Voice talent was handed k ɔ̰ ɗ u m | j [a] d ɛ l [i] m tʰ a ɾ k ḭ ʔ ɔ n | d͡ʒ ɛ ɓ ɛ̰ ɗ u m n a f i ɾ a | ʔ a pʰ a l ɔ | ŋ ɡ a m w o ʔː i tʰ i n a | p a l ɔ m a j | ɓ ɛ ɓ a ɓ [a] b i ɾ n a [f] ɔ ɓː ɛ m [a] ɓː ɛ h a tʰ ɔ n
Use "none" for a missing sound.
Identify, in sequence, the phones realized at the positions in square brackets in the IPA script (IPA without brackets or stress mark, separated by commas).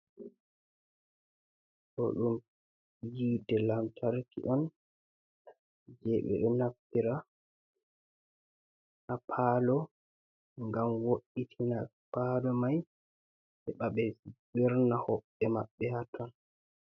i, a, ɛ, h, a